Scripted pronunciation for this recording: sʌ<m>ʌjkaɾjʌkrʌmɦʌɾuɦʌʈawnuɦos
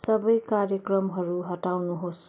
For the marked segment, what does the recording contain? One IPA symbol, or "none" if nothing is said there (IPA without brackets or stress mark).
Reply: b